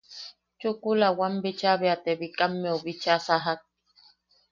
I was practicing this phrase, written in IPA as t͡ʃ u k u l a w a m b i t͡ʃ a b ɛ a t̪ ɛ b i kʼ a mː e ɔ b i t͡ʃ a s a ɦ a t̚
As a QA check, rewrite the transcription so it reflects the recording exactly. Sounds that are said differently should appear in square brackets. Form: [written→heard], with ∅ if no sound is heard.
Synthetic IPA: t͡ʃ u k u l a w a m b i t͡ʃ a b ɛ a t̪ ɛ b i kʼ a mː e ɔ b i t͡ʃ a s a ɦ a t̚